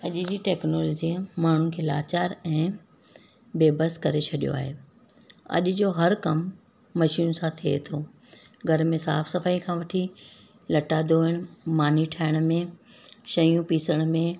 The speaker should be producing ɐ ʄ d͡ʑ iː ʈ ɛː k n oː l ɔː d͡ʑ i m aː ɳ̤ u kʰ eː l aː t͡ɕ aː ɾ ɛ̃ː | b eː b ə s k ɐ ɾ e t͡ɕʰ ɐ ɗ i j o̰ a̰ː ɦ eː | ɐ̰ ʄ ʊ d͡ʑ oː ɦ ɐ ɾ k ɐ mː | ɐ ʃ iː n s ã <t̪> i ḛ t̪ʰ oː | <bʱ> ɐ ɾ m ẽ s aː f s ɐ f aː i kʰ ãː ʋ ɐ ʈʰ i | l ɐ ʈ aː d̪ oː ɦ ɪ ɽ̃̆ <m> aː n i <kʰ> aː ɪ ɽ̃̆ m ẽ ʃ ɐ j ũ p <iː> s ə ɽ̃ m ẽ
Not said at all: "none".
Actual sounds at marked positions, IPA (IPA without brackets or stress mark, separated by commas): t̪ʰ, ɡʱ, m, ʈʰ, iː